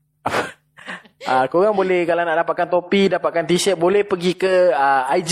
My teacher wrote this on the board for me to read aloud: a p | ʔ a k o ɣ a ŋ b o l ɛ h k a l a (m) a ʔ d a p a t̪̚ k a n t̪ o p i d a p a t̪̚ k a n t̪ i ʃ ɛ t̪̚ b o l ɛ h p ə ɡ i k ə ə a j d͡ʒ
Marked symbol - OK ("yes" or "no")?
no